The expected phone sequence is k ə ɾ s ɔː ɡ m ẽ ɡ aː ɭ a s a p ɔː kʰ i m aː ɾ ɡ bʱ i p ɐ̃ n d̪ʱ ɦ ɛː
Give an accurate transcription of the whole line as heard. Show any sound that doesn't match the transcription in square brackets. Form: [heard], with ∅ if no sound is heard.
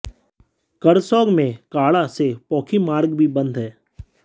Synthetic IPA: k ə ɾ s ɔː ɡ m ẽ [k] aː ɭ a s [e] p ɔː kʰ i m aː ɾ ɡ bʱ i [b] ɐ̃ n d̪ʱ ɦ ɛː